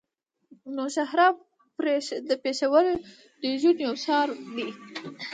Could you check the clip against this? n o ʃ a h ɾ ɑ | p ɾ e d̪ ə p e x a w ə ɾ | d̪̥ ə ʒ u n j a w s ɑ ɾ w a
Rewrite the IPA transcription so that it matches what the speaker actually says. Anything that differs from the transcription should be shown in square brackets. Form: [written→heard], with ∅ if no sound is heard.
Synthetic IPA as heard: n o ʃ a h ɾ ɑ | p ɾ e d̪ ə p e [x→ʃ] a w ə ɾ | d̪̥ ə ʒ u n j a w s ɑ ɾ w [a→i]